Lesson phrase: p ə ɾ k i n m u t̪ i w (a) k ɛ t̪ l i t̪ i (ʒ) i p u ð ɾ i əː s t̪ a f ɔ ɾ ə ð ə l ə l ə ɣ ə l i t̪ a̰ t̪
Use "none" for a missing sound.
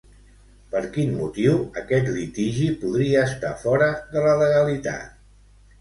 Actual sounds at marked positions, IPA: ə, ʒ

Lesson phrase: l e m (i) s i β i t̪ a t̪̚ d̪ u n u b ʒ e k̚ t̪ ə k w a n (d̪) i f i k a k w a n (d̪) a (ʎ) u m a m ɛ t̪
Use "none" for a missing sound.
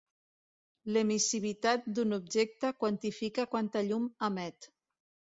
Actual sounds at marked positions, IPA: i, t̪, t̪, ʎ

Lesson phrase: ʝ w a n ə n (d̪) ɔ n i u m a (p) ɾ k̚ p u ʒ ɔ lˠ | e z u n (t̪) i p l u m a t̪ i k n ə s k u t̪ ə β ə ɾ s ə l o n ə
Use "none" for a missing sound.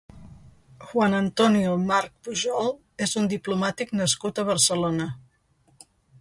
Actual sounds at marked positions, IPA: t̪, none, d̪

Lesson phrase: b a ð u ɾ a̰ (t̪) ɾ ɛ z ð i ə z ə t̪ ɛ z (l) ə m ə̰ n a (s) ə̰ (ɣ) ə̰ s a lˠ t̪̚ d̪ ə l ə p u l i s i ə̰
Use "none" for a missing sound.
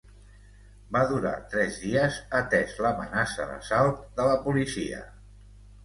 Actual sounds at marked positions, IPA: t̪, l, s, ð

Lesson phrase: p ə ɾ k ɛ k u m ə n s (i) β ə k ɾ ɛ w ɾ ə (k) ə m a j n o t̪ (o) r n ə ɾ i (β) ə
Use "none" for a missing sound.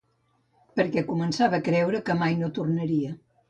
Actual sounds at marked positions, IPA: a, k, u, none

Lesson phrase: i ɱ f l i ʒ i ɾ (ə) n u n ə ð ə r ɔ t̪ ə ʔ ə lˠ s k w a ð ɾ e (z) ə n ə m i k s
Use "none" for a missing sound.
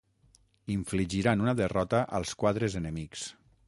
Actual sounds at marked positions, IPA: a, z

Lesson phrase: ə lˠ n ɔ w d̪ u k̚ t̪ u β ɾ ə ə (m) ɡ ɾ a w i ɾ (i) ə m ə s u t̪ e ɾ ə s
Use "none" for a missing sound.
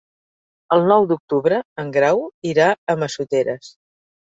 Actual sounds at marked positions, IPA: ŋ, a

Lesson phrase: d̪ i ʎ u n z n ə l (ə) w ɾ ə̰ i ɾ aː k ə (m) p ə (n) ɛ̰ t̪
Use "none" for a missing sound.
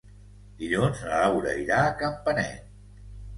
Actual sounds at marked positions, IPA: a, m, n

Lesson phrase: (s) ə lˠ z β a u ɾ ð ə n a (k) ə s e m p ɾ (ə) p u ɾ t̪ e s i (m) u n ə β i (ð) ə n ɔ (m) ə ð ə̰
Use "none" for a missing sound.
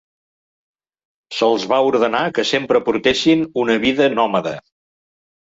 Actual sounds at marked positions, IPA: s, k, ə, n, ð, m

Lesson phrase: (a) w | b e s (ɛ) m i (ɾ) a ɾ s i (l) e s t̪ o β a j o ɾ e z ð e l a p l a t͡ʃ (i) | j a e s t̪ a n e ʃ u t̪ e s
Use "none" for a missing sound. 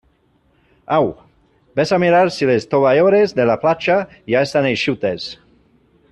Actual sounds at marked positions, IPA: a, a, ɾ, l, a

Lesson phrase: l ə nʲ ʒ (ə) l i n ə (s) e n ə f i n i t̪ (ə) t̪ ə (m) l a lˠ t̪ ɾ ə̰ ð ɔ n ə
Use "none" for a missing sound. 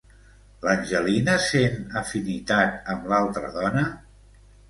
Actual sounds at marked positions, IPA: ə, s, a, m

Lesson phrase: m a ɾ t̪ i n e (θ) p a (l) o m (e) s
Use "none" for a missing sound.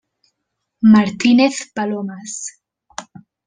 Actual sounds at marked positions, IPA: θ, l, a

